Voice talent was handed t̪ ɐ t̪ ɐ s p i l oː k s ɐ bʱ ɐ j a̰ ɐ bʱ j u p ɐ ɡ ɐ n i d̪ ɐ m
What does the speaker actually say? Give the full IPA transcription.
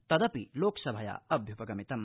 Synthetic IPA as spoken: t̪ ɐ d̪ ɐ p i l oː k s ɐ bʱ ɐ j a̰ ɐ bʱ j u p ɐ ɡ ɐ m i t̪ ɐ m